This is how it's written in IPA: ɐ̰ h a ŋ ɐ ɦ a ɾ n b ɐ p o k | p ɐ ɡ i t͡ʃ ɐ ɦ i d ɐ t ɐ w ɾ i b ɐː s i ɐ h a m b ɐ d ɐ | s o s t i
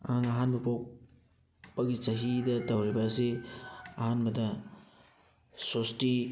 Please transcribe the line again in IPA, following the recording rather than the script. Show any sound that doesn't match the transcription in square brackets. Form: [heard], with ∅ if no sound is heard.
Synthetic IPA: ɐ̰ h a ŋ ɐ ɦ a [∅] n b ɐ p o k | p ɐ ɡ i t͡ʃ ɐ ɦ i d ɐ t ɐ w ɾ i b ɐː s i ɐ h a [n] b ɐ d ɐ | s o s t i